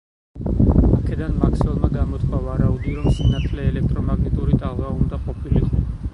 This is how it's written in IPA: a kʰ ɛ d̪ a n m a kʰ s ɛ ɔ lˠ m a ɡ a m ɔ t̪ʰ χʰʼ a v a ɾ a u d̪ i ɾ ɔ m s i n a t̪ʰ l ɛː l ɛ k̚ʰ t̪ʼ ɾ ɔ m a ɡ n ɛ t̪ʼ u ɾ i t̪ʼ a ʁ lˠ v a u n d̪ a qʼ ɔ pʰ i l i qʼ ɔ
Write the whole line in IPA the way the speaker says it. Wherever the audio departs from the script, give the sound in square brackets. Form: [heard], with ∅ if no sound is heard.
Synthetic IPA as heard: a kʰ ɛ d̪ a n m a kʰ s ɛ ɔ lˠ m a ɡ a m ɔ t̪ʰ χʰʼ a v a ɾ a u d̪ i ɾ ɔ m s i n a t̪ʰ l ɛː l ɛ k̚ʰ t̪ʼ ɾ ɔ m a ɡ n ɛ t̪ʼ u ɾ i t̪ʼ a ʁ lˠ v a u n d̪ a qʼ ɔ pʰ i l i qʼ ɔ